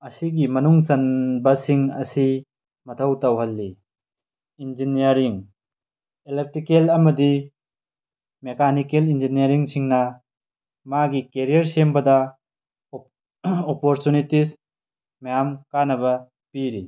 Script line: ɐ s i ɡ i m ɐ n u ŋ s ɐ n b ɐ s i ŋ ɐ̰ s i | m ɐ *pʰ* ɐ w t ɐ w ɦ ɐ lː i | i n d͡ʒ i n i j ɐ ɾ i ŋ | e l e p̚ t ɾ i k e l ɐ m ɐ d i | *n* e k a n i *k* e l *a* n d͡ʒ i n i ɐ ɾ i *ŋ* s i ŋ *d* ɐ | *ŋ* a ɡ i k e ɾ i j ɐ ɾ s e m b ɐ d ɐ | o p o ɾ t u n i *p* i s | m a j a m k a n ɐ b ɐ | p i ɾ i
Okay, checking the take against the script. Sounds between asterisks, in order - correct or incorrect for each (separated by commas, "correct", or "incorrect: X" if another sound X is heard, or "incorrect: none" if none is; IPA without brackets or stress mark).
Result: incorrect: tʰ, incorrect: m, correct, incorrect: i, correct, incorrect: n, incorrect: m, incorrect: t